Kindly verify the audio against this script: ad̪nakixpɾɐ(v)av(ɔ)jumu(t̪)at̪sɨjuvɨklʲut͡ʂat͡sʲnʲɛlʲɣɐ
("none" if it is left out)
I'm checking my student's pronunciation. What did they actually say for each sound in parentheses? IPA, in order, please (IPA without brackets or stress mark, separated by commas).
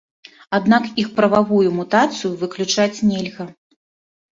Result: v, u, t̪